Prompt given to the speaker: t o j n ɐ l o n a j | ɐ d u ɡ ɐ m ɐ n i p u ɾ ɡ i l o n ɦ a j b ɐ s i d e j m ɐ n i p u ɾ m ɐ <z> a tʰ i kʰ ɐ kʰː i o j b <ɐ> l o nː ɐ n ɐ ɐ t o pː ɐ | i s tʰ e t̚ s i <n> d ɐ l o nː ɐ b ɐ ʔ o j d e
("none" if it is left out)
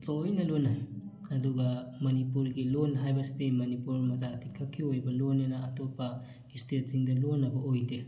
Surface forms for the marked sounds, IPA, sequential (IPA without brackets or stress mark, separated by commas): z, ɐ, ŋ